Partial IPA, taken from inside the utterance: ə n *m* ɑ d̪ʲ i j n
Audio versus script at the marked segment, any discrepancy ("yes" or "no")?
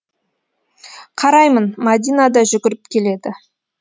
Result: no